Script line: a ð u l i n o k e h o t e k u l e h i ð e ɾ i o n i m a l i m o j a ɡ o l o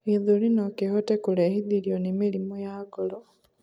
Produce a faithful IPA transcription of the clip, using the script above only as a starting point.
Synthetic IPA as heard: i ð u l i n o k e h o t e k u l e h i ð i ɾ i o n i m i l i m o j a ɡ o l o